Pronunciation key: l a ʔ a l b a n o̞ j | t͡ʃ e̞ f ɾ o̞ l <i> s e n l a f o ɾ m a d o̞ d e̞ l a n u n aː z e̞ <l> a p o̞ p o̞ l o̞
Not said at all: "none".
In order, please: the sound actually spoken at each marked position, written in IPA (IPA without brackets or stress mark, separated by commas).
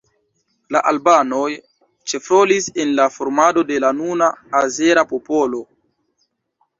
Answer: i, ɾ